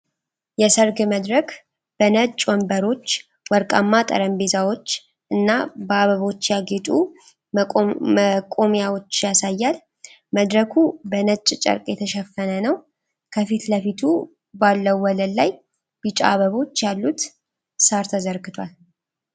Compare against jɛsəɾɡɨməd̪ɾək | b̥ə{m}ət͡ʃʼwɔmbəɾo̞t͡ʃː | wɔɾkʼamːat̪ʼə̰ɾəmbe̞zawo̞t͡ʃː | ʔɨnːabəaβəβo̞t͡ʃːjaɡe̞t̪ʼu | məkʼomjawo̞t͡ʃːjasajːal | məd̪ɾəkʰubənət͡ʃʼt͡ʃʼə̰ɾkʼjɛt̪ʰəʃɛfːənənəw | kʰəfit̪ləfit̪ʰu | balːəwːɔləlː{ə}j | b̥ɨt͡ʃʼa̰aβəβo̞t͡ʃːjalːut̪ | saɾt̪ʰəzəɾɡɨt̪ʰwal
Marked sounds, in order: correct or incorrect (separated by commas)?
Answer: incorrect, incorrect